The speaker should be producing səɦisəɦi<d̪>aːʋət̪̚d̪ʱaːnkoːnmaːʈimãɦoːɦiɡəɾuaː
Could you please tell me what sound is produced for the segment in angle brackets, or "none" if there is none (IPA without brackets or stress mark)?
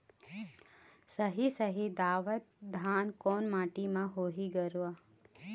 d̪